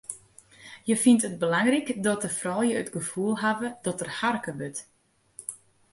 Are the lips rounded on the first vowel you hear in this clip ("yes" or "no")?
no